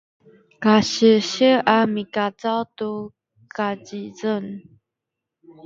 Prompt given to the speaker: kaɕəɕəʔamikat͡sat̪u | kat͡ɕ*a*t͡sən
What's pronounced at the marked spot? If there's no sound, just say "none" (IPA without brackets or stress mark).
i